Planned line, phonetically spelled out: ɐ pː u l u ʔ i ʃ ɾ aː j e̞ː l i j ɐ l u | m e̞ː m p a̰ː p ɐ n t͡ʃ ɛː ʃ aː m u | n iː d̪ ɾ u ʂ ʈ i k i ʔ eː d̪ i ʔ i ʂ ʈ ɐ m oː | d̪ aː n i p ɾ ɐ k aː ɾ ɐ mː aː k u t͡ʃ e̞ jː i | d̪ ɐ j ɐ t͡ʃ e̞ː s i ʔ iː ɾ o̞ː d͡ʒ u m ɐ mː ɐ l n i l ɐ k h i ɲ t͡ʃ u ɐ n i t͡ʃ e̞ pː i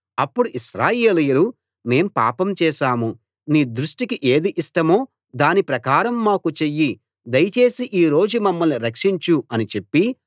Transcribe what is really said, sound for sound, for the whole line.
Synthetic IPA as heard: ɐ pː u ɽ u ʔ i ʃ ɾ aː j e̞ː l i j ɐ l u | m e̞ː m p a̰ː p ɐ m t͡ʃ ɛː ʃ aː m u | n iː d̪ ɾ u ʂ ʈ i k i ʔ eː d̪ i ʔ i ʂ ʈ ɐ m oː | d̪ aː n i p ɾ ɐ k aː ɾ ɐ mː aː k u t͡ʃ e̞ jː i | d̪ ɐ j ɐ t͡ʃ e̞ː s i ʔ iː ɾ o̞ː d͡ʒ u m ɐ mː ɐ l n i ɾ ɐ k ʂ i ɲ t͡ʃ u ɐ n i t͡ʃ e̞ pː i